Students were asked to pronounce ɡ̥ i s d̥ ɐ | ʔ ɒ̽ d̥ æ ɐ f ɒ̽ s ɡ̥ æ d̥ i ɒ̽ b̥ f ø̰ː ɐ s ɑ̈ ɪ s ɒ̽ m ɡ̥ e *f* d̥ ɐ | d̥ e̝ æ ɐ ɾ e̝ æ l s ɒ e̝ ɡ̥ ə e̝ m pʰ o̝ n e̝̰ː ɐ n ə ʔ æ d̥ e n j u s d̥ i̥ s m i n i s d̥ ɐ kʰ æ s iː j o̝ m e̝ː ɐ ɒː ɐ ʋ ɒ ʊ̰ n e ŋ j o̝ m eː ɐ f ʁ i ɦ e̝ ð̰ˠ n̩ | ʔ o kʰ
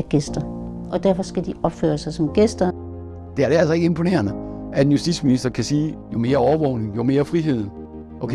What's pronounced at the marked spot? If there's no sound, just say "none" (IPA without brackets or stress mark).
s